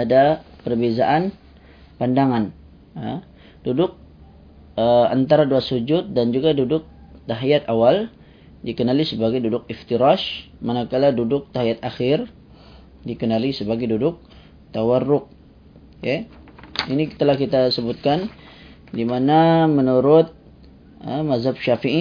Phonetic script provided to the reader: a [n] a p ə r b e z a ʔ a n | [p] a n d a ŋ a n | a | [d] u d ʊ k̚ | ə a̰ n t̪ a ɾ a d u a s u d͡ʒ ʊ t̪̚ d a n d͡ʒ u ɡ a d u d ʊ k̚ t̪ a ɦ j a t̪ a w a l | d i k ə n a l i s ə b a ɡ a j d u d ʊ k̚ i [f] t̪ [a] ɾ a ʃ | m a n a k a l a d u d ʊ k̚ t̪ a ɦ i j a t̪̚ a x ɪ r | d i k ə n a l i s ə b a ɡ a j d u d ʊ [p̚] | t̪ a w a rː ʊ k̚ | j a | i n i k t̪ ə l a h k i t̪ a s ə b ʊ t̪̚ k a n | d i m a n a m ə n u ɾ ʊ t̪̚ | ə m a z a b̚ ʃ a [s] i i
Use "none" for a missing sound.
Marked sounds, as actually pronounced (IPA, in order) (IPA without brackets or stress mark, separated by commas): d, p, d, f, i, k̚, f